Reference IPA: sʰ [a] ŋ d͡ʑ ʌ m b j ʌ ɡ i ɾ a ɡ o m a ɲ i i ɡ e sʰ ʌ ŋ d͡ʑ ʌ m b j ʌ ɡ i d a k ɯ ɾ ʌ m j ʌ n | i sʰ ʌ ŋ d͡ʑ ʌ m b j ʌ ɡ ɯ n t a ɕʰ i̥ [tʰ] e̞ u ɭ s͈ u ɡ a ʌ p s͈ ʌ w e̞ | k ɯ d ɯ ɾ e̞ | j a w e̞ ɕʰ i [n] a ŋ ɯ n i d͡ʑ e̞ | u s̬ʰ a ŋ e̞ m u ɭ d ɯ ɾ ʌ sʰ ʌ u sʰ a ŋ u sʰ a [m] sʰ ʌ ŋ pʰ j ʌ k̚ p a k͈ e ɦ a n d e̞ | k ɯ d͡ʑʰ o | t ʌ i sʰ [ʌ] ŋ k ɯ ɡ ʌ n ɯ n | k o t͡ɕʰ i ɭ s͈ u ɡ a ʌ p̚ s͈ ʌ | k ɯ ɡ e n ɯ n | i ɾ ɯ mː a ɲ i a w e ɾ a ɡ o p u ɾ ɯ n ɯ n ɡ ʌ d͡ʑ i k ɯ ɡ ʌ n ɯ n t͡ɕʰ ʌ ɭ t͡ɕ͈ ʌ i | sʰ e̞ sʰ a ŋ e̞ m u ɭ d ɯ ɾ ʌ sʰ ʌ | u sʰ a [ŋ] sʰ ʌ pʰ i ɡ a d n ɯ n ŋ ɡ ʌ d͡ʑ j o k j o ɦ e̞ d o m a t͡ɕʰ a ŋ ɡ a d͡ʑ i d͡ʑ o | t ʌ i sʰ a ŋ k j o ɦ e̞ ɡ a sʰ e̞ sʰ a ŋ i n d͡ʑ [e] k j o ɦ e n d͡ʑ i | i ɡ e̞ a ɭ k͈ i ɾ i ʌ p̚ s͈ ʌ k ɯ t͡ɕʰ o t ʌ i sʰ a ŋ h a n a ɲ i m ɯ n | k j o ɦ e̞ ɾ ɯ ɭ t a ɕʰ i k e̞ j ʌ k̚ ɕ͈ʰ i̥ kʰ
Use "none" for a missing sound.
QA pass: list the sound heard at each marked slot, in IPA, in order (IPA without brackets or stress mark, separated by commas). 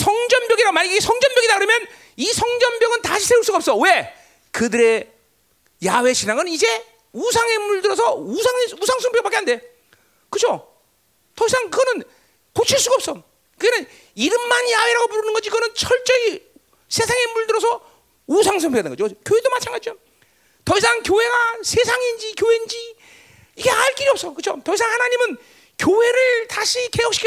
ʌ, sʰ, n, ŋ, a, ŋ, i